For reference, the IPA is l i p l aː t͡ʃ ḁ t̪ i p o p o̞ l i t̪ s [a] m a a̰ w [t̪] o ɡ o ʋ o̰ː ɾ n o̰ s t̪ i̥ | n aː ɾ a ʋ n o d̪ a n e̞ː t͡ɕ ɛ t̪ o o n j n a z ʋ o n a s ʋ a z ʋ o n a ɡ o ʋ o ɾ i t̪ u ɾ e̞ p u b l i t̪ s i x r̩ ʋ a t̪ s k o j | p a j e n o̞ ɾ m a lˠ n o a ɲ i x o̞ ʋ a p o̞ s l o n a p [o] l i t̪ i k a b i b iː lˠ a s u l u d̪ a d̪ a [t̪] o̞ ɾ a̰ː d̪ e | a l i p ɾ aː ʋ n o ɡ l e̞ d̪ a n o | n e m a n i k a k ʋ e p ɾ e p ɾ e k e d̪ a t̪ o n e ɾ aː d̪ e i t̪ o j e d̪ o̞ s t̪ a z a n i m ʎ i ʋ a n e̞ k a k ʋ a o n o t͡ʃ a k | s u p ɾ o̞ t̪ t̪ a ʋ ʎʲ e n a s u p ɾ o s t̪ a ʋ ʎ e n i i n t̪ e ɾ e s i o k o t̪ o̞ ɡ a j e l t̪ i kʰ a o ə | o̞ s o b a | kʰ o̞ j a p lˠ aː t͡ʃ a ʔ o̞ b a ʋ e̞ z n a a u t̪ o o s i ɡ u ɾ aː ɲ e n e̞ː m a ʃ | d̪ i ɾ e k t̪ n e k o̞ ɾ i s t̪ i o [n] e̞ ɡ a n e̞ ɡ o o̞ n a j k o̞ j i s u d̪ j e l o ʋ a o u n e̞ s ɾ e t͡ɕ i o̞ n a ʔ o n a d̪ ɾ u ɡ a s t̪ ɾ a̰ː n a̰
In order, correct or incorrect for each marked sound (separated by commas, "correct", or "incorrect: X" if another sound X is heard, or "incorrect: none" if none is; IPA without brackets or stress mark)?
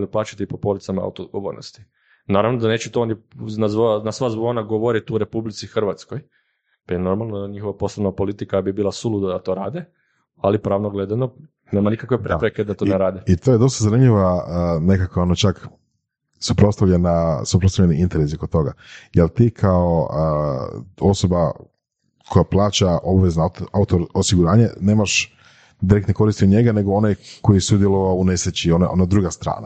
correct, correct, correct, correct, incorrect: ɲ